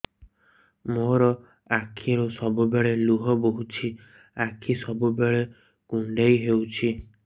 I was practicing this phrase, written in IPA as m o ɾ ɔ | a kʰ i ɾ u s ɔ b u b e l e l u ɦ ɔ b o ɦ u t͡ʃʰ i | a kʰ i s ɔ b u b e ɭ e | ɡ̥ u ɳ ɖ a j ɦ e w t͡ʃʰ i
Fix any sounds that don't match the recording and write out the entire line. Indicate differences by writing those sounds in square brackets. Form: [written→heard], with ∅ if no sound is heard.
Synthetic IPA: m o ɾ ɔ | a kʰ i ɾ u s ɔ b u b e [l→ɭ] e l u ɦ ɔ b o ɦ u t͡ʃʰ i | a kʰ i s ɔ b u b e ɭ e | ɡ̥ u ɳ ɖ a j ɦ e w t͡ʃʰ i